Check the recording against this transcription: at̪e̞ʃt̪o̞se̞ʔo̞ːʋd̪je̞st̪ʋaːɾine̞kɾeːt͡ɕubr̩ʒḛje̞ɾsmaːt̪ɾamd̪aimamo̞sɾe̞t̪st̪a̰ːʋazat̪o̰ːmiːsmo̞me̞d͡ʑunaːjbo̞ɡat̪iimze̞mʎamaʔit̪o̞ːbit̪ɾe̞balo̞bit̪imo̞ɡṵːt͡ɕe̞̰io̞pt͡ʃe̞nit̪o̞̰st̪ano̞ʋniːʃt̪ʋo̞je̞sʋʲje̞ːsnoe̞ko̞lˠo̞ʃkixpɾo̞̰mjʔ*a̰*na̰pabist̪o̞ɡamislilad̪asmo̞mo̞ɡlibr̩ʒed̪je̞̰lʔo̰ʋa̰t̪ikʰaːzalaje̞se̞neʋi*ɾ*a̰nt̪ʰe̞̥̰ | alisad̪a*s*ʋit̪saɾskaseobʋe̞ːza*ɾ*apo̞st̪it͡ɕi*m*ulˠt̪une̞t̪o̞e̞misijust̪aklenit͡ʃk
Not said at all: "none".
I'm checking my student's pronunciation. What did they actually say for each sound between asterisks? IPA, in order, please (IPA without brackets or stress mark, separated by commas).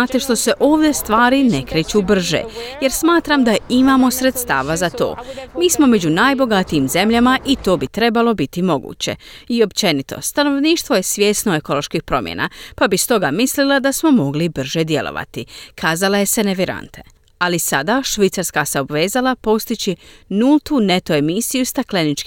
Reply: ḛ, ɾ, ʃ, l, n